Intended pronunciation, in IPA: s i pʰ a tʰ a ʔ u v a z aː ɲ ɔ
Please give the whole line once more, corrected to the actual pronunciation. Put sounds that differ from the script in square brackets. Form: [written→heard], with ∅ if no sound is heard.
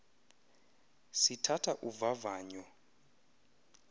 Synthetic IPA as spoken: s i [pʰ→tʰ] a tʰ a ʔ u v a [z→v] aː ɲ ɔ